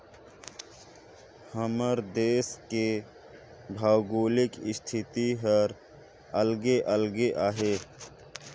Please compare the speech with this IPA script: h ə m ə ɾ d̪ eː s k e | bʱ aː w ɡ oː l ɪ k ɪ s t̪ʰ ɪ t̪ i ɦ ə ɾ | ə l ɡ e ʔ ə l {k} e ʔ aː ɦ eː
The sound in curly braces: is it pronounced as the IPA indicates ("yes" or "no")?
no